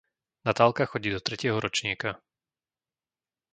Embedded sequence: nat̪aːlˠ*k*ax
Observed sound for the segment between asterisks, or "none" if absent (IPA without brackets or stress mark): k